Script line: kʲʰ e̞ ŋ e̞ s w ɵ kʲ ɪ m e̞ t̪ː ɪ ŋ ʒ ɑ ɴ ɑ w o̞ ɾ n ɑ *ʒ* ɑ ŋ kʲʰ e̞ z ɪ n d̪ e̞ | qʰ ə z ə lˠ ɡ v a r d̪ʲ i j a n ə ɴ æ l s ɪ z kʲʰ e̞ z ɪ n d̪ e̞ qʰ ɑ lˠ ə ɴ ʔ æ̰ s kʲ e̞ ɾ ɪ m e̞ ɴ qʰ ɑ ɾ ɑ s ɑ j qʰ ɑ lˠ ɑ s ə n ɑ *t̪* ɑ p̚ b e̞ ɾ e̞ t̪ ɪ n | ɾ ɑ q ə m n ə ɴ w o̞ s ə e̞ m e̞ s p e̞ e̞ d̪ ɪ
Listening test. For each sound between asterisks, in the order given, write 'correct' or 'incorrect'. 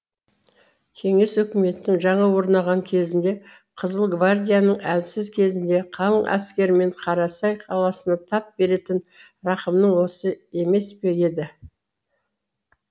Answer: incorrect, incorrect

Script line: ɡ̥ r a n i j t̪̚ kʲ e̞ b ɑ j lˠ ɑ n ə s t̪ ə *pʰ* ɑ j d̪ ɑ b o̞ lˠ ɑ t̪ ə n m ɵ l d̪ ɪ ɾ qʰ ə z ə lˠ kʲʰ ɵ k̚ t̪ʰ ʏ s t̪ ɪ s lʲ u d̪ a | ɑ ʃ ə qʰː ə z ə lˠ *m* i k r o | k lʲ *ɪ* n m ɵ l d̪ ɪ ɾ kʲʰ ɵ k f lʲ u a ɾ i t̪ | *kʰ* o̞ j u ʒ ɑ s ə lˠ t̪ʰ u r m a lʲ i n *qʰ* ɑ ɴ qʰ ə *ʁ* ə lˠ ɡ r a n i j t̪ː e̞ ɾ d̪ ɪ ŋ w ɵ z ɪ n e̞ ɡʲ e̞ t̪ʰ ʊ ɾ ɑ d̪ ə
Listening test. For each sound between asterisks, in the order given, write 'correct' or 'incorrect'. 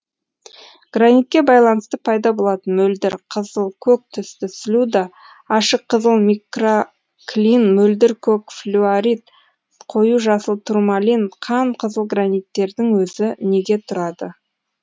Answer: correct, correct, incorrect, incorrect, correct, incorrect

